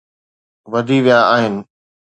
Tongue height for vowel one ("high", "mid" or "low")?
low